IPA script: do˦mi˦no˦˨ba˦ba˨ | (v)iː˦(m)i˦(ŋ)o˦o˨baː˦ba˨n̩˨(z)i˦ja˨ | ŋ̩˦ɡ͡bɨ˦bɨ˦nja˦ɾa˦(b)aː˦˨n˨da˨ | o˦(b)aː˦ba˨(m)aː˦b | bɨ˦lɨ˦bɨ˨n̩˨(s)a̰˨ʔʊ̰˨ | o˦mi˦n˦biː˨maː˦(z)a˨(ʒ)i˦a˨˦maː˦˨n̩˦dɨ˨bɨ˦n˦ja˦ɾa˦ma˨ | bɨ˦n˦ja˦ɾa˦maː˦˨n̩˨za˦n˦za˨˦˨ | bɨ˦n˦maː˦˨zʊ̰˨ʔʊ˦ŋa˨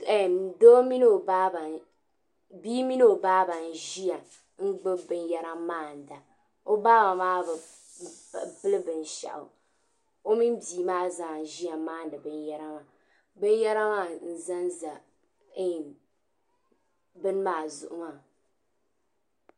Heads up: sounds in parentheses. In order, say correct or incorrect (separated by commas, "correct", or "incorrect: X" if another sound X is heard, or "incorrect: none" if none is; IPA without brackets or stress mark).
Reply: incorrect: b, correct, incorrect: n, incorrect: ʒ, incorrect: m, correct, correct, incorrect: ʃ, correct, correct